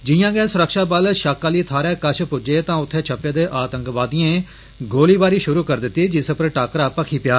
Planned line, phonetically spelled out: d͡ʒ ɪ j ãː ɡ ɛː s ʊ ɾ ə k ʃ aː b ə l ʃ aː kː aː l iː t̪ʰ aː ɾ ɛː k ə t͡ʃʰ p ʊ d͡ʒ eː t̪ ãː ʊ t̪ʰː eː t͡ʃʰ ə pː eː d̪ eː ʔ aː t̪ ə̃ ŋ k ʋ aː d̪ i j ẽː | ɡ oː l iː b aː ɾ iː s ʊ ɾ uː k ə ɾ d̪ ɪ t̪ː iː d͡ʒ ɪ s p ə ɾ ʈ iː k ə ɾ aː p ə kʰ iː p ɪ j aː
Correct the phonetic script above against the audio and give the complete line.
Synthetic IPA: d͡ʒ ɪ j ãː ɡ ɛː s ʊ ɾ ə k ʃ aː b ə l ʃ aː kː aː l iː t̪ʰ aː ɾ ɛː k ə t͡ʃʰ p ʊ d͡ʒ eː t̪ ãː ʊ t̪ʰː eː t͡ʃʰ ə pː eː d̪ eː ʔ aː t̪ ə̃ ŋ k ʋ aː d̪ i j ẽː | ɡ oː l iː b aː ɾ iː ʃ ʊ ɾ uː k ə ɾ d̪ ɪ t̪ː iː d͡ʒ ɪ s p ə ɾ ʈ aː k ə ɾ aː p ə kʰ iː p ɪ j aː